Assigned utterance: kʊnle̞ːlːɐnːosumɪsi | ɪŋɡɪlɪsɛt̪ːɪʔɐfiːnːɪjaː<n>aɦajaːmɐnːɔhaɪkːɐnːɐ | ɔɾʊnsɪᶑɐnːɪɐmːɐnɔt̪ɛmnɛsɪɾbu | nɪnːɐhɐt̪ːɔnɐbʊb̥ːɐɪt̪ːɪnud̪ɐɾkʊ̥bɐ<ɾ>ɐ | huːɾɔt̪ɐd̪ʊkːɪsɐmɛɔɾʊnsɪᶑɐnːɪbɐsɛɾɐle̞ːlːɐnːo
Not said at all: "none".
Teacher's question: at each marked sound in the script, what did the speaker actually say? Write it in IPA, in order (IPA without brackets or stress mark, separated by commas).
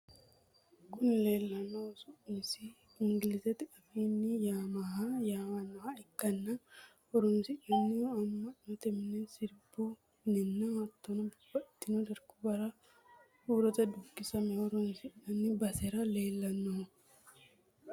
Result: m, ɾ